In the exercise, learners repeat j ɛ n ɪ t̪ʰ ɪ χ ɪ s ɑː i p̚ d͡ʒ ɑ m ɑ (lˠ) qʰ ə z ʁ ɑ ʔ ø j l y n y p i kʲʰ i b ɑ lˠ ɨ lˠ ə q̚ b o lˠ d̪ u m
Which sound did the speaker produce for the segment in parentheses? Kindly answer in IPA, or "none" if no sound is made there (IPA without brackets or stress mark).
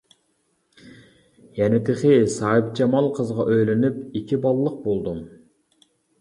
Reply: lˠ